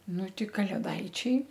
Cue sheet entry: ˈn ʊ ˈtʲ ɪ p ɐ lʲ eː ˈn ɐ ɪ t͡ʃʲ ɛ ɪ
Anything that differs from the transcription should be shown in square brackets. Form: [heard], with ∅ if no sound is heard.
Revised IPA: ˈn ʊ ˈtʲ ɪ [k] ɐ lʲ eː [ˈd] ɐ ɪ t͡ʃʲ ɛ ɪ

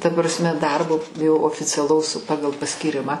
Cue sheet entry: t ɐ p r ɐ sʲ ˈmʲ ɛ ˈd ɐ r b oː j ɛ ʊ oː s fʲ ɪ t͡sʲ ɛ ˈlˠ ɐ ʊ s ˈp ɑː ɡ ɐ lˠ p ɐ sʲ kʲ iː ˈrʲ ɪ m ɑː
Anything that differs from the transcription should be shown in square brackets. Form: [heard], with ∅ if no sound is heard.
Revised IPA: t ɐ p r ɐ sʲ ˈmʲ ɛ ˈd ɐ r b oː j ɛ ʊ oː [∅] fʲ ɪ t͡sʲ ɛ ˈlˠ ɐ ʊ s ˈp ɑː ɡ ɐ lˠ p ɐ sʲ kʲ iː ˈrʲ ɪ m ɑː

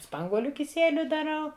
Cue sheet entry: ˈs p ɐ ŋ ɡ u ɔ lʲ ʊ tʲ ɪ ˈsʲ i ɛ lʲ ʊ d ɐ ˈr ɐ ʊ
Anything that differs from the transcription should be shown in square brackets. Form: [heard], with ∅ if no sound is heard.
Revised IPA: ˈs p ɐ ŋ ɡ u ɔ lʲ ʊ [kʲ] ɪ ˈsʲ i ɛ lʲ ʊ d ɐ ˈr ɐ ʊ

